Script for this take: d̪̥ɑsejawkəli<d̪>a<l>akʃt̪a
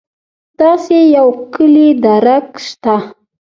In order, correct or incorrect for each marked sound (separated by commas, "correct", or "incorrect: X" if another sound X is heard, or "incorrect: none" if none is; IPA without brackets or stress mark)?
correct, incorrect: ɾ